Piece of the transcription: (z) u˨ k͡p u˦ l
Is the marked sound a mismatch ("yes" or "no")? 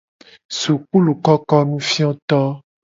yes